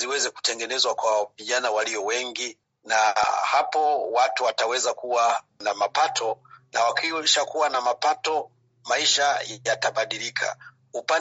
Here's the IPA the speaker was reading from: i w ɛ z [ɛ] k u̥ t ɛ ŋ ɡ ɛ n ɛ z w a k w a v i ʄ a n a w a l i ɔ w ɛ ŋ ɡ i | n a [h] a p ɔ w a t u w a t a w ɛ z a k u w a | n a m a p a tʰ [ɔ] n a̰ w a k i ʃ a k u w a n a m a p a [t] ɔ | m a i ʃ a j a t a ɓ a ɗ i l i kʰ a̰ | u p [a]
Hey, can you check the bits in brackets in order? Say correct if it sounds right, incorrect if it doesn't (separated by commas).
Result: correct, correct, correct, correct, correct